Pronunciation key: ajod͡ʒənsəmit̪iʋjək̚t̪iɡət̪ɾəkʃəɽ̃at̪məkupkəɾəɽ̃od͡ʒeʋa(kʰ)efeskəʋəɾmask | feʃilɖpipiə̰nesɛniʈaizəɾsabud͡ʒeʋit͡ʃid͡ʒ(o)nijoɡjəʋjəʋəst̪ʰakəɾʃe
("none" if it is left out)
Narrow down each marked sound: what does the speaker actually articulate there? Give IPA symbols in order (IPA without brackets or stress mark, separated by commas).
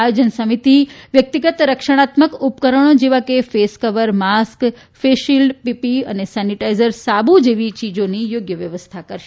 k, o